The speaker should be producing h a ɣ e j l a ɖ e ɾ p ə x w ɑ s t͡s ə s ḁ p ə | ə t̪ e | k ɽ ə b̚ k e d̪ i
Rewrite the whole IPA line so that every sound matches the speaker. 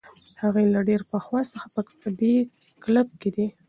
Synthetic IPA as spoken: h a ɣ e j l a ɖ e ɾ p ə x w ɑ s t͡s ə x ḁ p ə | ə d̪ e | k l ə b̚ k e d̪ i